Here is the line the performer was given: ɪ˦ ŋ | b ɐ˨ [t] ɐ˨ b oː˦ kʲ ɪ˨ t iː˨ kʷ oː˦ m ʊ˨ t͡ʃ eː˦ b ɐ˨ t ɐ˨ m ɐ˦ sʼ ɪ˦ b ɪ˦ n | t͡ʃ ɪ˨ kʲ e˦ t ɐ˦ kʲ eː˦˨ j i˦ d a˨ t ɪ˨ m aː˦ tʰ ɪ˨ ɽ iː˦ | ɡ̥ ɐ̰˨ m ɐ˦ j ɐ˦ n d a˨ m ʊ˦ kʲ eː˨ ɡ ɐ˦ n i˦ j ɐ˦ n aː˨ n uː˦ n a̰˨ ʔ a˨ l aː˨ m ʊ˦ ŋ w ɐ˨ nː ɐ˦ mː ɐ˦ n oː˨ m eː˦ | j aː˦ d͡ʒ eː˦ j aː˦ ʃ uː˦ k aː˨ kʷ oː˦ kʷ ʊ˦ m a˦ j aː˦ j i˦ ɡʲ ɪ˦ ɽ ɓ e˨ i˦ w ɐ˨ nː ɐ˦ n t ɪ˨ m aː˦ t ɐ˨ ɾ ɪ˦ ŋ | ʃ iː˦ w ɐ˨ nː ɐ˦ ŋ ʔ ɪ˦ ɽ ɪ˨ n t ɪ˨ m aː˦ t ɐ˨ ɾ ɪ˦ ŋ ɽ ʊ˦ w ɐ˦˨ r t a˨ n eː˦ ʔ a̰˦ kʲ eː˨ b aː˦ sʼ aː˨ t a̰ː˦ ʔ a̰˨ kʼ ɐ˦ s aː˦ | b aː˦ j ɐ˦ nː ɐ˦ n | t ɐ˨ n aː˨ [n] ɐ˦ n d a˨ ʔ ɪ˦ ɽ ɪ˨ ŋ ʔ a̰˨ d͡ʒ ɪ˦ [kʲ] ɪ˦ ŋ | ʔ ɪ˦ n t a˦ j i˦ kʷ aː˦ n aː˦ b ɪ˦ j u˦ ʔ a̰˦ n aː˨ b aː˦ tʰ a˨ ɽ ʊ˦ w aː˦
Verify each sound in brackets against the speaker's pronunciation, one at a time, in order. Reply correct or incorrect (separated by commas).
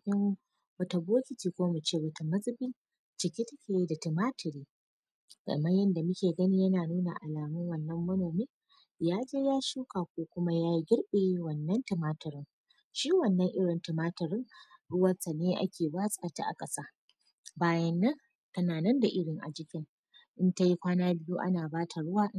correct, correct, correct